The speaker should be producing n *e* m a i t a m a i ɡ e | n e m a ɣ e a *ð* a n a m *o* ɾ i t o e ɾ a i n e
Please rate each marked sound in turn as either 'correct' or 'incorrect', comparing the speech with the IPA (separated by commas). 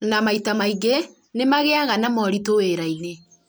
incorrect, incorrect, incorrect